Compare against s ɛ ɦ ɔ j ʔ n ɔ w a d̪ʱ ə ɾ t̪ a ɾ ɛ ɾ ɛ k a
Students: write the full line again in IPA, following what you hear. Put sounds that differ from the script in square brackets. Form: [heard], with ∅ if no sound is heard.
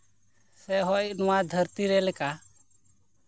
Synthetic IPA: s ɛ ɦ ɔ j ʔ n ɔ w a d̪ʱ ə ɾ t̪ [i] ɾ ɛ [l] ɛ k a